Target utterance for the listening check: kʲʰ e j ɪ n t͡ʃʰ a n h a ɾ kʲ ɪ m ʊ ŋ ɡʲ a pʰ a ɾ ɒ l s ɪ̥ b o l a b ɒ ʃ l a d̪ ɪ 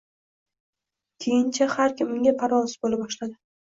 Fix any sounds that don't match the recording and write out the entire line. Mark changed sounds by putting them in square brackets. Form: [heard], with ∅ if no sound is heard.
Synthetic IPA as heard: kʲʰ e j ɪ n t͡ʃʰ a [∅] h a ɾ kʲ ɪ m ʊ ŋ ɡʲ a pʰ a ɾ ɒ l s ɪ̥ b o l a b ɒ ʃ l a d̪ ɪ